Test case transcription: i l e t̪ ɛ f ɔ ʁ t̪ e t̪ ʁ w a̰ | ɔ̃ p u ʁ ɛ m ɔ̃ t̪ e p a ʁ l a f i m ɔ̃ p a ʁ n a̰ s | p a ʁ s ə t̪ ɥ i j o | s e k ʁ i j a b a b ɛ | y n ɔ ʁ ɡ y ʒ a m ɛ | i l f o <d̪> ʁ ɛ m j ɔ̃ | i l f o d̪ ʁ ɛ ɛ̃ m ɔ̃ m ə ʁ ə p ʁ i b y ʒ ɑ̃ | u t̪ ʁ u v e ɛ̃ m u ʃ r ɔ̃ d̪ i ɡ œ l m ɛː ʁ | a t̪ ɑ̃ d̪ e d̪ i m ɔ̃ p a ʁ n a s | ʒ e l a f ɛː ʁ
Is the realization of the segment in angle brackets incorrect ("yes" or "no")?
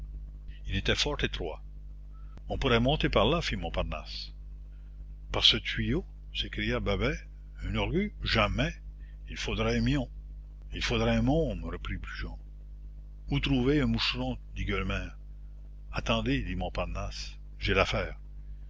no